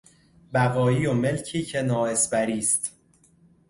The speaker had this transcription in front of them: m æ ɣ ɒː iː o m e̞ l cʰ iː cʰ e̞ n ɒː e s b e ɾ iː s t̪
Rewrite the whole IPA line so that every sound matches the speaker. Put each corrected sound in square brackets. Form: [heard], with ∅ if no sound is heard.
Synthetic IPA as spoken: [b] æ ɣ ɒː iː o m e̞ l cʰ iː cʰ e̞ n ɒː e s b [æ] ɾ iː s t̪